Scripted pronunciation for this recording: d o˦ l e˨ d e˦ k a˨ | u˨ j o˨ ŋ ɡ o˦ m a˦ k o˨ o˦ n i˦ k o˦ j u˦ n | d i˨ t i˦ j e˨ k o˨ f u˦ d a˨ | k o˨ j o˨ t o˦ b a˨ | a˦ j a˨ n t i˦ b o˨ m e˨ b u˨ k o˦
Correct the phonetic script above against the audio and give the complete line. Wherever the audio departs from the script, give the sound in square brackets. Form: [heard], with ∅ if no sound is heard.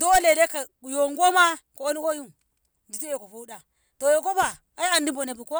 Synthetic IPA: d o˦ l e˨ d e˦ k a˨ | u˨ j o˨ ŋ ɡ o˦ m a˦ k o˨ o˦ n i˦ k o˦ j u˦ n | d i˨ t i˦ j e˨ k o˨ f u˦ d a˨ | [t] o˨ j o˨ [k] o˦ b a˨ | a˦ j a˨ n [d] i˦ b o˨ [n] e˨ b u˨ k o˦